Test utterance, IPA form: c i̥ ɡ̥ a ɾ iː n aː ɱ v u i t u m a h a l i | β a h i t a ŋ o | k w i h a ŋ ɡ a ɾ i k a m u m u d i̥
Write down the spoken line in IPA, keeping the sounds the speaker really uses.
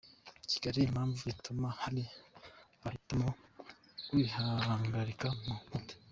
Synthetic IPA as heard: c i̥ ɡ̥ a ɾ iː m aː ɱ v u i t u m a h a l i | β a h i t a m o | k w i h a ŋ ɡ a ɾ i k a m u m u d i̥